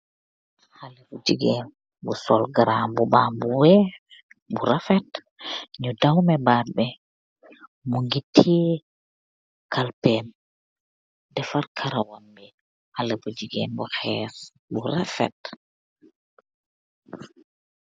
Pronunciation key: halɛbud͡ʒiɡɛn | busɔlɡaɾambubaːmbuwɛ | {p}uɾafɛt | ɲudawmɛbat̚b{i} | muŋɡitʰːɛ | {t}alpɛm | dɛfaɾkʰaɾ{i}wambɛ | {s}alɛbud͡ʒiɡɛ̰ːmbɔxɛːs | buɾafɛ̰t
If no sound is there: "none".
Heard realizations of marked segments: b, ɛ, k, a, h

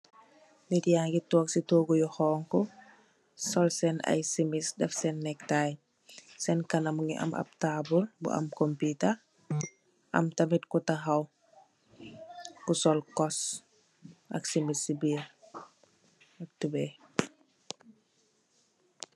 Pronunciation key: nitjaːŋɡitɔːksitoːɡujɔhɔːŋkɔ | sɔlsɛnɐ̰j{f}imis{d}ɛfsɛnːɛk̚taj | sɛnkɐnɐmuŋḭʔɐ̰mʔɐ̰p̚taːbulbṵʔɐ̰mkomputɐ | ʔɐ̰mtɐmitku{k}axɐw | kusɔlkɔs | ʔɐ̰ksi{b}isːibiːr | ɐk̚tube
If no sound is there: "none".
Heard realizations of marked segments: s, d, t, m

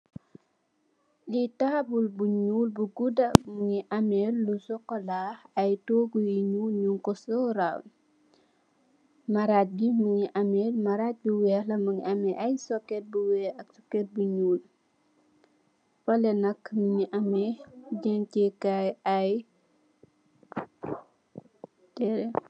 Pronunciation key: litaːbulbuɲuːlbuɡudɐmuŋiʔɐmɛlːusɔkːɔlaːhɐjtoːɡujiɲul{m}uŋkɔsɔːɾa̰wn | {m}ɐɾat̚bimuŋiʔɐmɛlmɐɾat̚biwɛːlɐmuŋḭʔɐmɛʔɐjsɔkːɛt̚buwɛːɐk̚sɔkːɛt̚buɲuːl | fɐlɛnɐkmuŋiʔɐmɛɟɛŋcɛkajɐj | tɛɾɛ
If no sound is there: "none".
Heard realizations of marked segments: ɲ, m

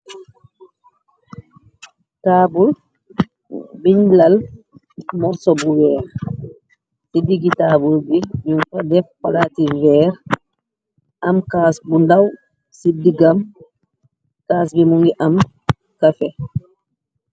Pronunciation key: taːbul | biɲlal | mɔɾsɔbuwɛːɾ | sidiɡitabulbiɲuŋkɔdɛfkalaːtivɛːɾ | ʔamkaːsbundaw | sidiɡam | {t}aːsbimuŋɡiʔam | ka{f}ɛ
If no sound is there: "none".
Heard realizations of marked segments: k, f

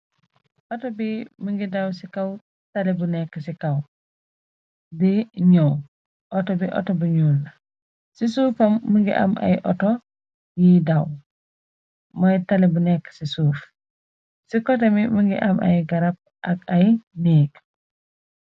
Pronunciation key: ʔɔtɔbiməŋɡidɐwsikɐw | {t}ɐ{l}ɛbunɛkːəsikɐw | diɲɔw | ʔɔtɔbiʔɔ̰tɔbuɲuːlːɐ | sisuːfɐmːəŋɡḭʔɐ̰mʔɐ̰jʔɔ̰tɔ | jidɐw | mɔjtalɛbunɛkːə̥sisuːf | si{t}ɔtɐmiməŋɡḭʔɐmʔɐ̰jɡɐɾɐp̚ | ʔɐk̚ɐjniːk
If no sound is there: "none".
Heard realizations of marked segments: t, l, k

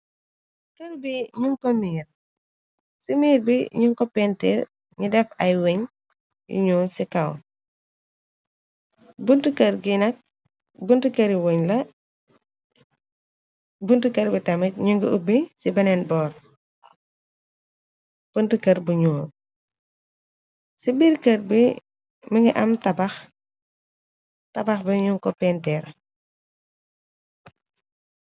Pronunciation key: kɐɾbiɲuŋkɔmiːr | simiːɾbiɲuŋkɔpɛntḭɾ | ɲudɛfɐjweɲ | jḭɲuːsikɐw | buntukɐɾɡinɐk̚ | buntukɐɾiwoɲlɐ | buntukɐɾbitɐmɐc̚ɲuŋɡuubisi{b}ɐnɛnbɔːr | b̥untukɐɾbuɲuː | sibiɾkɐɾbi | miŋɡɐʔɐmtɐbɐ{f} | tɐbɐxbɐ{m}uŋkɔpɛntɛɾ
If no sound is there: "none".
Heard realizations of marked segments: b, x, ɲ

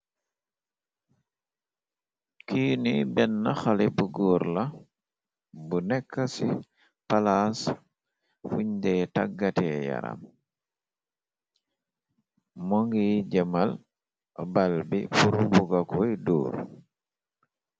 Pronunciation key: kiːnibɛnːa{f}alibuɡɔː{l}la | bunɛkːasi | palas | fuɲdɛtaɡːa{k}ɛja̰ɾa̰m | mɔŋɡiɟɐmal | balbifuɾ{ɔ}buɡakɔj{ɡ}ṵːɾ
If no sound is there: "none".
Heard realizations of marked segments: x, ɾ, t, u, d

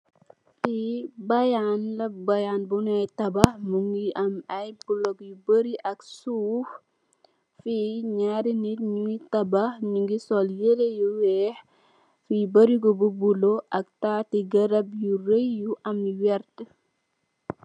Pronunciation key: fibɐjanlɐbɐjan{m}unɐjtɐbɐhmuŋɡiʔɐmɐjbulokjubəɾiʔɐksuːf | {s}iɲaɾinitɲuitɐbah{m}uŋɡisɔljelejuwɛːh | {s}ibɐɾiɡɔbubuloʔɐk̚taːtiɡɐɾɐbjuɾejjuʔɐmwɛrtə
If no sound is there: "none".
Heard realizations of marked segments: b, f, ɲ, f

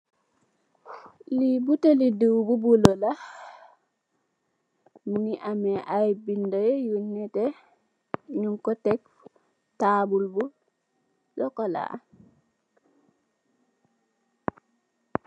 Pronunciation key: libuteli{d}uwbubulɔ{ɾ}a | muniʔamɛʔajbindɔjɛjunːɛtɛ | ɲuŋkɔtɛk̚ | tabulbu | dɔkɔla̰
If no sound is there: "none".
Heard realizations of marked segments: d, l

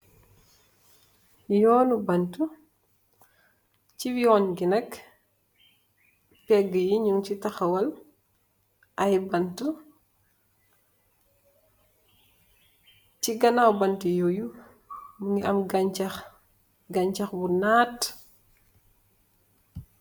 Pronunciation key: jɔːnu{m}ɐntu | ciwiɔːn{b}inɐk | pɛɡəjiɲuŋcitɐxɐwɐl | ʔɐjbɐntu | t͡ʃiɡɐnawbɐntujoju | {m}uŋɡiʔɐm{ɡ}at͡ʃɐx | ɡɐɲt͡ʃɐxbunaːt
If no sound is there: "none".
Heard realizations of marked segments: b, ɡ, m, ɡ

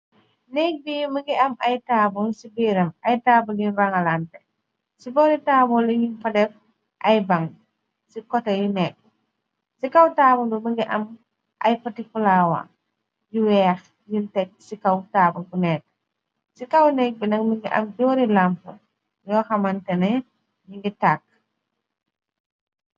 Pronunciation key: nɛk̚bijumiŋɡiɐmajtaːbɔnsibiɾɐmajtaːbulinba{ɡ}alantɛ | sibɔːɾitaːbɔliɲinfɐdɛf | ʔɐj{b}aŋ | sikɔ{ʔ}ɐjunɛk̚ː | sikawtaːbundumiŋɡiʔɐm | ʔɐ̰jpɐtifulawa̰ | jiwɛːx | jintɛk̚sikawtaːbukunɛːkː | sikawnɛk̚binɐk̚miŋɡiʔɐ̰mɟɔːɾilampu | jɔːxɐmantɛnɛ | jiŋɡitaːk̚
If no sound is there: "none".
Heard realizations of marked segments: ŋ, b, t

